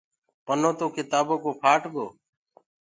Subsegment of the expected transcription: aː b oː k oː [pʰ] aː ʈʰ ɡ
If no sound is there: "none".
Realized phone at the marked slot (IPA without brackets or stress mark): pʰ